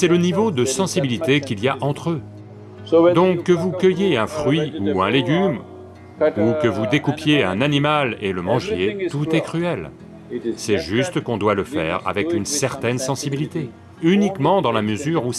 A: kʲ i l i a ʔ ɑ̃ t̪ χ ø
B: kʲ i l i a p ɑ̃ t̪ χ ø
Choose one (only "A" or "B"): A